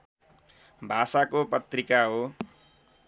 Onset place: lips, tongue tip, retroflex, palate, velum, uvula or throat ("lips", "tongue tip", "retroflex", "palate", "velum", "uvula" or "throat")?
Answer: lips